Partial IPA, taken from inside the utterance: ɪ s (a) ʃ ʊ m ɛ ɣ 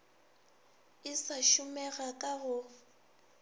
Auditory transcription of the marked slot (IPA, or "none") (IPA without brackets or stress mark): a